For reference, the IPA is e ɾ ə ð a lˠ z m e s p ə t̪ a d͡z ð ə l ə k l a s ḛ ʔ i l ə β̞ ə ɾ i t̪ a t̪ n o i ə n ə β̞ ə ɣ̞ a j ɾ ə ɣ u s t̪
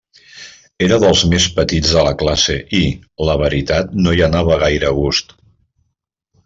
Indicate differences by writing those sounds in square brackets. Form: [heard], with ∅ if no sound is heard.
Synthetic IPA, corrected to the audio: e ɾ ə ð [ə] lˠ z m e s p ə t̪ [i] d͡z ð ə l ə k l a s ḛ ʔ i l ə β̞ ə ɾ i t̪ a t̪ n o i ə n [a] β̞ ə ɣ̞ a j ɾ ə ɣ u s t̪